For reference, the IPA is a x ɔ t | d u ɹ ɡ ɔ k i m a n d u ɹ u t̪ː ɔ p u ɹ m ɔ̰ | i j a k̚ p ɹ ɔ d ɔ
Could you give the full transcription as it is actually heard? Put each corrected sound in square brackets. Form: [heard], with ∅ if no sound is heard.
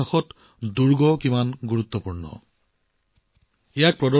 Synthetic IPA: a x ɔ t | d u ɹ ɡ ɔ k i m a n [ɡ] u ɹ u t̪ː ɔ p u ɹ [n] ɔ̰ | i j a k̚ p ɹ ɔ d ɔ